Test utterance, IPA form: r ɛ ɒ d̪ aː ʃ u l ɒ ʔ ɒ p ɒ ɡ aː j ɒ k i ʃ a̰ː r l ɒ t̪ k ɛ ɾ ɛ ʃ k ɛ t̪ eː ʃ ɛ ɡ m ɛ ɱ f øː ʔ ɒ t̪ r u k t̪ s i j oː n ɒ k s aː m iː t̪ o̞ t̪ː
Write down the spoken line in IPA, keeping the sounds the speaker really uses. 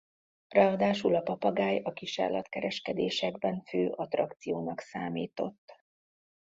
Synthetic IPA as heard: r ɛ ɒ d̪ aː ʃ u l ɒ p ɒ p ɒ ɡ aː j ɒ k i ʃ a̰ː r l ɒ t̪ k ɛ ɾ ɛ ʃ k ɛ d̪ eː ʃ ɛ ɡ b ɛ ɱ f øː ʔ ɒ t̪ r ɒ k t̪ s i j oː n ɒ k s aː m iː t̪ o̞ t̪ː